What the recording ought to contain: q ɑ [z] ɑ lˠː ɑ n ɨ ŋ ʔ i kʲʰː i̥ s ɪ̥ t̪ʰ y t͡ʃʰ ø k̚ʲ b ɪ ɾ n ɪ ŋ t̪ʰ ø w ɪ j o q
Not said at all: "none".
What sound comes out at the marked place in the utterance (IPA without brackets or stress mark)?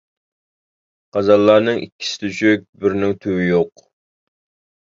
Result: z